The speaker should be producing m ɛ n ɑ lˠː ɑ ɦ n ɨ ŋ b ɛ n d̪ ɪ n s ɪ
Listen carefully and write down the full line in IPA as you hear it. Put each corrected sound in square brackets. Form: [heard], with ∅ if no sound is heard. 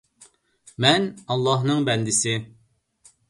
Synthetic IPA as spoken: m ɛ n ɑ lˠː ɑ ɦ n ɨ ŋ b ɛ n d̪ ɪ [∅] s ɪ